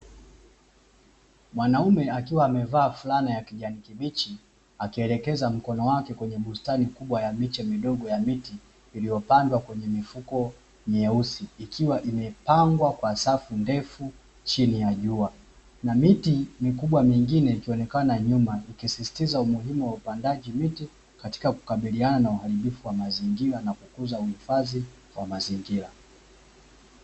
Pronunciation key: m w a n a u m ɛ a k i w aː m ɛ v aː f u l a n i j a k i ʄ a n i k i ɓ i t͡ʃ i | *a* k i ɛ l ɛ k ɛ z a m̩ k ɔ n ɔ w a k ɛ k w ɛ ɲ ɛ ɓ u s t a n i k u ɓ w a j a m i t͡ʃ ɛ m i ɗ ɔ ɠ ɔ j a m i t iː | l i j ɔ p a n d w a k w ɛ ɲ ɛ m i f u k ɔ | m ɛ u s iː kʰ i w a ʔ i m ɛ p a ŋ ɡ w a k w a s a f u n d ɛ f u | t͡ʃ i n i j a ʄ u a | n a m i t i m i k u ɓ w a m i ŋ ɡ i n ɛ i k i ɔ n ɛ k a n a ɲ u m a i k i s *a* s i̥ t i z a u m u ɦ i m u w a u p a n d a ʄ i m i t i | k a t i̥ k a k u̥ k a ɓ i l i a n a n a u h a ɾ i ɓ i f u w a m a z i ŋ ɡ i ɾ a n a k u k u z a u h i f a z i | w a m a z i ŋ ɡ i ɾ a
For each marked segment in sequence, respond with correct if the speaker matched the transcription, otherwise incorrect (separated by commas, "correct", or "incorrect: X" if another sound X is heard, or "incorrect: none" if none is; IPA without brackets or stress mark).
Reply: correct, incorrect: i